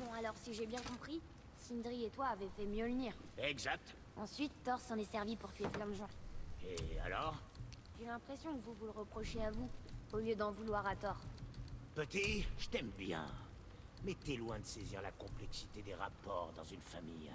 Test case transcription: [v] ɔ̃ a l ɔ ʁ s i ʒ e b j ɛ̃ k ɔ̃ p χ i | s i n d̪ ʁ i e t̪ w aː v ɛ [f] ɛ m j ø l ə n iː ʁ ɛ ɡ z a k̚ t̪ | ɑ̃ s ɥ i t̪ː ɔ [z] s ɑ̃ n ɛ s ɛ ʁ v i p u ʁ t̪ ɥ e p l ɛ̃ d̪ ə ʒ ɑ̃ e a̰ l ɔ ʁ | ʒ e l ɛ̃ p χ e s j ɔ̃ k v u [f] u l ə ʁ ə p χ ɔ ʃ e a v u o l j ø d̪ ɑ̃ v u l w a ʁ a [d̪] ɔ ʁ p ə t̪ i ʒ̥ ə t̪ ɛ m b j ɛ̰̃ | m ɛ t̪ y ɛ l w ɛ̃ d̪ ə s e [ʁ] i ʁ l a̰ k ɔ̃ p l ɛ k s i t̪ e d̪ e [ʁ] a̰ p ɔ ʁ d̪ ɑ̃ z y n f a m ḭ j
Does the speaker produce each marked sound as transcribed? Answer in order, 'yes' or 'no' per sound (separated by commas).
no, yes, no, no, no, no, yes